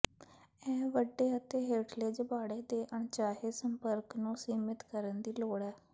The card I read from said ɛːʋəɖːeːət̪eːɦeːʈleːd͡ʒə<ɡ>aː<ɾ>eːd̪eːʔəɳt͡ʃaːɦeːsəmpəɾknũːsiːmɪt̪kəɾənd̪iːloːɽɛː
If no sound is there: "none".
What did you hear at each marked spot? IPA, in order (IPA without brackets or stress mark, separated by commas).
b, ɽ